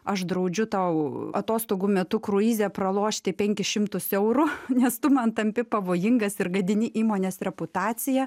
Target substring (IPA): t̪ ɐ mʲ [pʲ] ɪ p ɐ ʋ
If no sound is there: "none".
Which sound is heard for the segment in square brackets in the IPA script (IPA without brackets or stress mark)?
pʲ